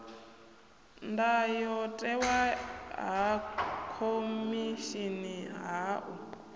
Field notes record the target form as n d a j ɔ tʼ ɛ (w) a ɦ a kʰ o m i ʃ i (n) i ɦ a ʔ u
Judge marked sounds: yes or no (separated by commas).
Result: yes, yes